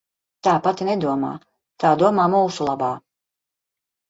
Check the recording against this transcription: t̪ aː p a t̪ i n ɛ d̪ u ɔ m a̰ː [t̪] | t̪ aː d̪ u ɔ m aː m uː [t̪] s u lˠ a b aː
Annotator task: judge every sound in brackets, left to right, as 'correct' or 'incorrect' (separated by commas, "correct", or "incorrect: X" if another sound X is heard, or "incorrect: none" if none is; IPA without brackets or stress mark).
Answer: incorrect: none, incorrect: none